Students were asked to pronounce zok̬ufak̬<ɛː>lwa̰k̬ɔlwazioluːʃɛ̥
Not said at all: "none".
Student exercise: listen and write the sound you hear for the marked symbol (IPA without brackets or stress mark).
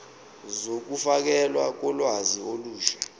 ɛ